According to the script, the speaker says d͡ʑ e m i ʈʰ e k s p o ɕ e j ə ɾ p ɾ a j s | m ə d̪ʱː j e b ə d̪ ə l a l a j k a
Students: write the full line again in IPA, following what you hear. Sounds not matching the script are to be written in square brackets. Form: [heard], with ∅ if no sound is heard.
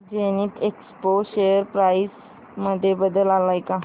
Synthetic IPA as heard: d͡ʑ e [n] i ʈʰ e k s p o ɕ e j ə ɾ p ɾ a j s | m ə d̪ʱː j e b ə d̪ ə l a l a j k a

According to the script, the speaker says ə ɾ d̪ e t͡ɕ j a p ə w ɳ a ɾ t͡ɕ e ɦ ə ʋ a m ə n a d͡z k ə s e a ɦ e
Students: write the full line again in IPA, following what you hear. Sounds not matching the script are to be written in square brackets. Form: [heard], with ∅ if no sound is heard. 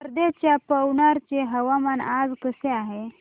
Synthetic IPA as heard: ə ɾ d̪ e t͡ɕ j a p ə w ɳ a ɾ t͡ɕ e ɦ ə ʋ a m [a] n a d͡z k ə s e a ɦ e

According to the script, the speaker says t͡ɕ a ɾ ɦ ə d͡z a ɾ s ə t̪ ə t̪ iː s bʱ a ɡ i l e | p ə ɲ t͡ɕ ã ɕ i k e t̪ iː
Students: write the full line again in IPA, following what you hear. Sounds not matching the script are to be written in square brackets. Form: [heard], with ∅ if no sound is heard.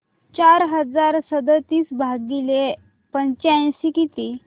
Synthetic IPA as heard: t͡ɕ a ɾ ɦ ə d͡z a ɾ s ə [d̪] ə t̪ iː s bʱ a ɡ i l e | p ə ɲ t͡ɕ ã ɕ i k [i] t̪ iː

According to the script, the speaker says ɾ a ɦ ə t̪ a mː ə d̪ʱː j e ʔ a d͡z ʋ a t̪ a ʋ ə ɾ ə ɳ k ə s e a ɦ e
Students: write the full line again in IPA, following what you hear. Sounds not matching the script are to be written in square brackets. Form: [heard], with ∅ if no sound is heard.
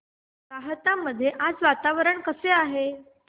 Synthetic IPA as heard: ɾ a ɦ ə t̪ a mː ə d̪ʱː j e ʔ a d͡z ʋ a t̪ a ʋ ə ɾ ə ɳ k ə s e a ɦ e

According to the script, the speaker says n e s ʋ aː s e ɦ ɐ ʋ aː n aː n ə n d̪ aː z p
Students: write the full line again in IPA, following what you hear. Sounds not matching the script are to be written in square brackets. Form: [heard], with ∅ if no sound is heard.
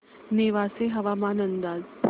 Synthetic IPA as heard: n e [∅] ʋ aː s e ɦ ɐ ʋ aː [m] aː n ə n d̪ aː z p

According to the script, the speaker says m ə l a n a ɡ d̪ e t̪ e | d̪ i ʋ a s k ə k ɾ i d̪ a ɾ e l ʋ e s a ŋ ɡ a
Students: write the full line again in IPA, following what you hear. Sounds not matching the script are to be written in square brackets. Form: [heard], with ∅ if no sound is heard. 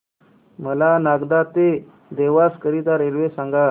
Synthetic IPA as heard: m ə l a n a ɡ d̪ [a] t̪ e | d̪ [e] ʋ a s k ə [∅] ɾ i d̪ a ɾ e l ʋ e s a ŋ ɡ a

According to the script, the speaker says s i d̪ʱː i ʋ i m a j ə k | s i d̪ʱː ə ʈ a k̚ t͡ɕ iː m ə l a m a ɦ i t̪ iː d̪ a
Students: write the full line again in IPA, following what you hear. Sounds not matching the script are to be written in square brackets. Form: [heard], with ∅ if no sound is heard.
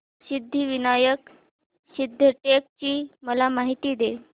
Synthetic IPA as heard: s i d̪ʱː i ʋ i [n] a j ə k | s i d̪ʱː ə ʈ [e] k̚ t͡ɕ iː m ə l a m a ɦ i t̪ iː d̪ [e]

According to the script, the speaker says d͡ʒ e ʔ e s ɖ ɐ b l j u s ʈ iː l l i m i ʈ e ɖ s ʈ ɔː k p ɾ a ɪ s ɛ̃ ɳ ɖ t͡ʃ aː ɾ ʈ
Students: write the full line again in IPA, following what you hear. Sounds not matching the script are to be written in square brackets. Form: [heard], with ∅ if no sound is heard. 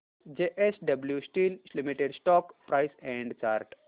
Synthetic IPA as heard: d͡ʒ e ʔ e s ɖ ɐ b l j u s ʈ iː l l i m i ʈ e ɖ s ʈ ɔː k p ɾ a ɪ s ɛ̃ ɳ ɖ t͡ʃ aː ɾ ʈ

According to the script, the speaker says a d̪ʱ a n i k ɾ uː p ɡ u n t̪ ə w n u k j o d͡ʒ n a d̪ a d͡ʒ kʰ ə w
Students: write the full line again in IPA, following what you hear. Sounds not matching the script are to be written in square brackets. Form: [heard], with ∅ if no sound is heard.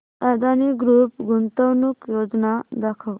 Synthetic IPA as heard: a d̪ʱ a n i [ɡ] ɾ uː p ɡ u n t̪ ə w n u k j o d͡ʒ n a d̪ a [∅] kʰ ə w

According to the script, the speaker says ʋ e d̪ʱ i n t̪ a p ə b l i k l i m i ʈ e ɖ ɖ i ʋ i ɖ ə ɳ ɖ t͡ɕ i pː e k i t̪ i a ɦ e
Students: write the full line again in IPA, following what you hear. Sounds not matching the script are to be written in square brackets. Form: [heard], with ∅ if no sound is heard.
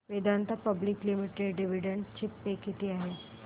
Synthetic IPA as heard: ʋ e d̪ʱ [a] n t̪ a p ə b l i k l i m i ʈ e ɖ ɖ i ʋ i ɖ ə ɳ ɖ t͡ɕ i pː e k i t̪ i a ɦ e

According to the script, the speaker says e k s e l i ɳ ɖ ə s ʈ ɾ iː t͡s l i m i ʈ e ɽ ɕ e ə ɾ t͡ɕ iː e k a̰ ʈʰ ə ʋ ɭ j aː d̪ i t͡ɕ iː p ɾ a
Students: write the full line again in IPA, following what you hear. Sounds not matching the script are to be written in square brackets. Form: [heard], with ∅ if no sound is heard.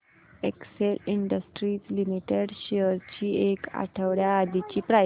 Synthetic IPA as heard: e k s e l i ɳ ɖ ə s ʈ ɾ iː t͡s l i m i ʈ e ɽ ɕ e ə ɾ t͡ɕ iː e k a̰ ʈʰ ə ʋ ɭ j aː d̪ i t͡ɕ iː p ɾ a

